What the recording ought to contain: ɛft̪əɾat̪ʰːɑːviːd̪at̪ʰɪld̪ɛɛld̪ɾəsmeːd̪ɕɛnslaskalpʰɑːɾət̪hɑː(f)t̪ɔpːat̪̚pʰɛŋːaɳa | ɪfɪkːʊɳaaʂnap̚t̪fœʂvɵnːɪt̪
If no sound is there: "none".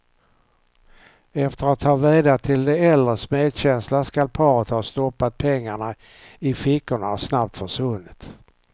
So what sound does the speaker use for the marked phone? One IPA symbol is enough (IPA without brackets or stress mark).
s